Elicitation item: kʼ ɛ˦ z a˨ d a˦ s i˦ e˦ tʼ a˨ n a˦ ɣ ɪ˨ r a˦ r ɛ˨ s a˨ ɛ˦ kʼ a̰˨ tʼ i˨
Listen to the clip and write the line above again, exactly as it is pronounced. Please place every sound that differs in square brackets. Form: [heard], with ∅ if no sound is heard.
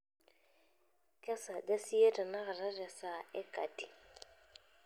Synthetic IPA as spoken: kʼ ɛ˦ [s] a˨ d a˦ s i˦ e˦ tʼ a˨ n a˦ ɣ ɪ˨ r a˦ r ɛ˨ s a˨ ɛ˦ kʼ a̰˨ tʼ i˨

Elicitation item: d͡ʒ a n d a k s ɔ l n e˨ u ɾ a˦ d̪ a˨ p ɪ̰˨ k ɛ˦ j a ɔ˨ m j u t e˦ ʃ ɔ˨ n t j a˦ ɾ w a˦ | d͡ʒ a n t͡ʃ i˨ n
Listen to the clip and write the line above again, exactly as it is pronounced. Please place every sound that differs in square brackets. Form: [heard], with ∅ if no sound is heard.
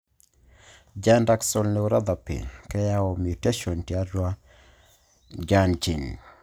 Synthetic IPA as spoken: d͡ʒ a n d a k s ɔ l n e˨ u ɾ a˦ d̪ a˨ p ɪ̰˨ k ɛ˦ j a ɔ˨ m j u t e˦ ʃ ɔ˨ n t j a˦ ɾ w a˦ | d͡ʒ a n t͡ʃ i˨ n

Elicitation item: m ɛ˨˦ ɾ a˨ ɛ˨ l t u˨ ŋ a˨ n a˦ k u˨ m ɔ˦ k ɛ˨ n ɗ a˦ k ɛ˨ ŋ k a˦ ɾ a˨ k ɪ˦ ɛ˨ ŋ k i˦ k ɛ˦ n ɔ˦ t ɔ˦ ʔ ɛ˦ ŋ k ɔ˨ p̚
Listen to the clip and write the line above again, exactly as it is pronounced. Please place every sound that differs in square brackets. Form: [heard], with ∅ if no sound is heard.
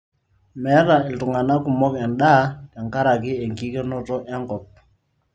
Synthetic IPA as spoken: m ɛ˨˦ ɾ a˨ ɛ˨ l t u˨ ŋ a˨ n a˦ k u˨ m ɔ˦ k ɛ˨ n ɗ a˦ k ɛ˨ ŋ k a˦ ɾ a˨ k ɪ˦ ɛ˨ ŋ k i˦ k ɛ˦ n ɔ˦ t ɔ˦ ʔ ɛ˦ ŋ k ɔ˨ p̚

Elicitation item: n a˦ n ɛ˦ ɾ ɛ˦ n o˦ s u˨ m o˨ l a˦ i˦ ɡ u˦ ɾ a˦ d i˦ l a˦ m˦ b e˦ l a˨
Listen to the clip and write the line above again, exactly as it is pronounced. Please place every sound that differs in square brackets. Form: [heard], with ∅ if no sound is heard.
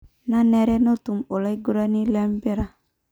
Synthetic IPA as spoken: n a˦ n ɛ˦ ɾ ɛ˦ n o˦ [t] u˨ m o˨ l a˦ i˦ ɡ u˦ ɾ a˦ [n] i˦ l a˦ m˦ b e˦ [ɾ] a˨

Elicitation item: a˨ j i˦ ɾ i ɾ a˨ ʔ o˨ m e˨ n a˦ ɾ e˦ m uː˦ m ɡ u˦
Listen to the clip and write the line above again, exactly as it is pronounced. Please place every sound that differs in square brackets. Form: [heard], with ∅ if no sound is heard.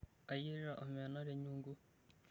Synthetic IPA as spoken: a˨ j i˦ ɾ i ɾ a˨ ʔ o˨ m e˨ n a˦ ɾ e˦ [ɲ] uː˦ [ŋ] ɡ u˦

